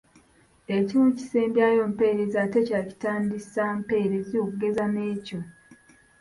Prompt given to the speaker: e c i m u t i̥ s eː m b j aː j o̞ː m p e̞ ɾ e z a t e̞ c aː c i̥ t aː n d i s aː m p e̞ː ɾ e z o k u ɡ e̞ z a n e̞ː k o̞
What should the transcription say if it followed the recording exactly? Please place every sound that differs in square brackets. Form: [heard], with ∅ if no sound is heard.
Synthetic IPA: e c i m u [c] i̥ s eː m b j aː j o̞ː m p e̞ ɾ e z a t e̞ c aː c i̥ t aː n d i s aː m p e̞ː ɾ e z o k u ɡ e̞ z a n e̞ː [c] o̞